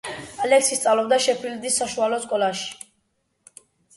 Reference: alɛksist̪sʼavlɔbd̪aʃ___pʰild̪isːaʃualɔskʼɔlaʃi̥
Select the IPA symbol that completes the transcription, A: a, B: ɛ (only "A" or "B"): B